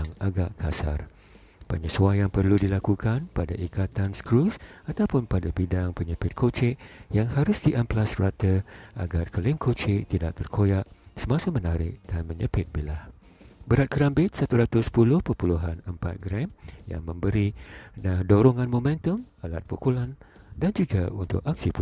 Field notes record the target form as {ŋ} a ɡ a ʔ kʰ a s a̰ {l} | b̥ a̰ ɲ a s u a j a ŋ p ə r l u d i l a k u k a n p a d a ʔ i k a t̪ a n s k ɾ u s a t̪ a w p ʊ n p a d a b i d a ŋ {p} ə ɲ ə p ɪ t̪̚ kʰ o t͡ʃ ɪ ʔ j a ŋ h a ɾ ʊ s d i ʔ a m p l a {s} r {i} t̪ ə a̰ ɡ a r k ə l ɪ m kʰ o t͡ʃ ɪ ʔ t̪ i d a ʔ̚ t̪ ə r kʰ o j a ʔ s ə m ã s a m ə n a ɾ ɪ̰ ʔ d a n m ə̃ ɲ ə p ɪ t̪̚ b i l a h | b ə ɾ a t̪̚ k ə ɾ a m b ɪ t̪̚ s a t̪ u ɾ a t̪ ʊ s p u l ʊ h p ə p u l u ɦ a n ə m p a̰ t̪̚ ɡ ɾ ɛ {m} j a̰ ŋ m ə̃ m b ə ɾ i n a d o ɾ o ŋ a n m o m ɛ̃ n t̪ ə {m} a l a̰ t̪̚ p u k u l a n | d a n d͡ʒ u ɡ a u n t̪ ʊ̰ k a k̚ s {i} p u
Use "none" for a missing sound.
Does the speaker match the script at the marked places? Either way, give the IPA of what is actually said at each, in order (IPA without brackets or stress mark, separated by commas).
ŋ, r, p, s, a, m, m, i